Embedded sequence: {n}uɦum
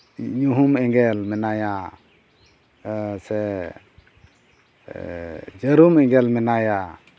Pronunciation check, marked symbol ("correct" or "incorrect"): incorrect